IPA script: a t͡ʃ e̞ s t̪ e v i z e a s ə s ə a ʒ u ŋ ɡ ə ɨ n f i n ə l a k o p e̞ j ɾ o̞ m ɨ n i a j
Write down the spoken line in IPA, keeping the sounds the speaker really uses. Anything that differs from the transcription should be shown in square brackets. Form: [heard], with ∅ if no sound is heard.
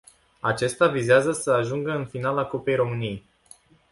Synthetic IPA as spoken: a t͡ʃ e̞ s t̪ [a] v i z e a [z] ə s ə a ʒ u ŋ ɡ ə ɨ n f i n [a] l a k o p e̞ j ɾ o̞ m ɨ n i [e] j